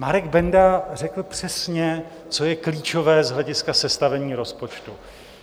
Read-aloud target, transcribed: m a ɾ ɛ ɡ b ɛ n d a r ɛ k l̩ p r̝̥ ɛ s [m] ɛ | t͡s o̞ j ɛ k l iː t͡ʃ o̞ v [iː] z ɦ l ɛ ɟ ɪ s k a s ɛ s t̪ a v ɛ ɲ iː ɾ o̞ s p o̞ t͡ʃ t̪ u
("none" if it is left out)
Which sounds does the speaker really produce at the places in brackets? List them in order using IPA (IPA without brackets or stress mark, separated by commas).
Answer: ɲ, ɛː